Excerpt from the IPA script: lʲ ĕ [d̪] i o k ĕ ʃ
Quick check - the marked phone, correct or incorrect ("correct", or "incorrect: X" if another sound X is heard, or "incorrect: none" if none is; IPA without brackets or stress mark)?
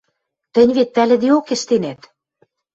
correct